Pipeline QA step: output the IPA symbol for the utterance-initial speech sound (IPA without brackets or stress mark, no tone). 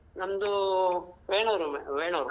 n